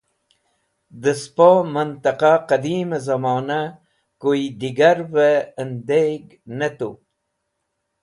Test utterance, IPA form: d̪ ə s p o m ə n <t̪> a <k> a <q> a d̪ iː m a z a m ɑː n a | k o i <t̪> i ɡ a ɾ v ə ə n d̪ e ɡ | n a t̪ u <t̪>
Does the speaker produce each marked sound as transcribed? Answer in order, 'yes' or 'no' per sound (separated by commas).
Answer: yes, no, yes, no, no